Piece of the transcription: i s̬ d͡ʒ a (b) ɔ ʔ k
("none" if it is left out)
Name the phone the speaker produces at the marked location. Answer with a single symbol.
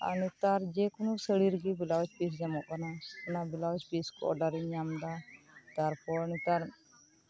m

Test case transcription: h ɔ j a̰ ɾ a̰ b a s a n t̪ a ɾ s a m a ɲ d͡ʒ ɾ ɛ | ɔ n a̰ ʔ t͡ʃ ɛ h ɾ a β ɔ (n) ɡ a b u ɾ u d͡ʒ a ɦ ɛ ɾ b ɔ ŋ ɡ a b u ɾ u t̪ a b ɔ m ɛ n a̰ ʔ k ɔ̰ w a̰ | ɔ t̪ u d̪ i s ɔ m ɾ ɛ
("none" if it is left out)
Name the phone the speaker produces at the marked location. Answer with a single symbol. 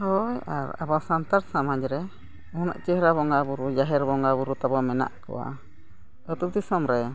ŋ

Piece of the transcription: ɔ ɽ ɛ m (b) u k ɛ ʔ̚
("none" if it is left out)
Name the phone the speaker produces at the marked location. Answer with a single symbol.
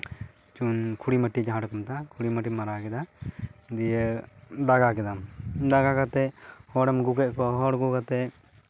ɡ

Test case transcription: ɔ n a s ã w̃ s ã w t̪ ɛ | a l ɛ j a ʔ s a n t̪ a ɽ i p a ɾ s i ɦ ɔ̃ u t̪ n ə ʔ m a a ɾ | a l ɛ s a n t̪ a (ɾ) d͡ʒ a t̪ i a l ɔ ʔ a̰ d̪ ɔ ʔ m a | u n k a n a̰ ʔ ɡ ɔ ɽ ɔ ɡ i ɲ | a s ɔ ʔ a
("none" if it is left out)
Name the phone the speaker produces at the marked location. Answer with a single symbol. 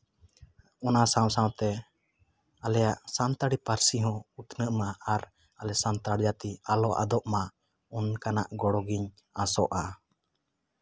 ɽ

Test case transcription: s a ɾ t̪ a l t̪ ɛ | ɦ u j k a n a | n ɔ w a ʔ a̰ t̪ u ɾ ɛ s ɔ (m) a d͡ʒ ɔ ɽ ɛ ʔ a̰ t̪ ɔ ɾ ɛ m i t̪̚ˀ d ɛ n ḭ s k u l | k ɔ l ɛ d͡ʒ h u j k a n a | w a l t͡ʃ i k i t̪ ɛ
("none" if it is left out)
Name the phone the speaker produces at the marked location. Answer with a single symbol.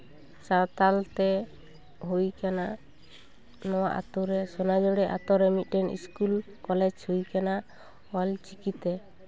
n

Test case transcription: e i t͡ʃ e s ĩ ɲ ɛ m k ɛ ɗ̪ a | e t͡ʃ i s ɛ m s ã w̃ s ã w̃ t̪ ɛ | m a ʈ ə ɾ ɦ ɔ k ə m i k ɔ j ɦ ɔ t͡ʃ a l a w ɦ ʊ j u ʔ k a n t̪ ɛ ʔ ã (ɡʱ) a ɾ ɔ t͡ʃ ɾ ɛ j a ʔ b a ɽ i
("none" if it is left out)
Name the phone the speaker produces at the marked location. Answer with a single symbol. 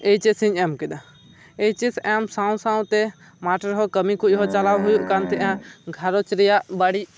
ɡʱ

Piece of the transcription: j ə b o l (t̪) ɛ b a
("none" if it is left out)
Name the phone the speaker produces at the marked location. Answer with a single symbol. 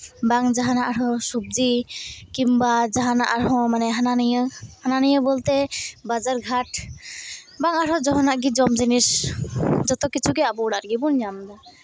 t̪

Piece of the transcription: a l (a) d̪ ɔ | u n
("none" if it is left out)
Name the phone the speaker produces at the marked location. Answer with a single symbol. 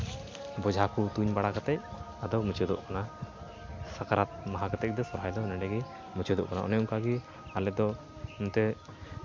ɛ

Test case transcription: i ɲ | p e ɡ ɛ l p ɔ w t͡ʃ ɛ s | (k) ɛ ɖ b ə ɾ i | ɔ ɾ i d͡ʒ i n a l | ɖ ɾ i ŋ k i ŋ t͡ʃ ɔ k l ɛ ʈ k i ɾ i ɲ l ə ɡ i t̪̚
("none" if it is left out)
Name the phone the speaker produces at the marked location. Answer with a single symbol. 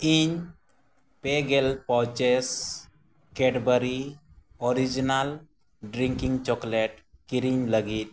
k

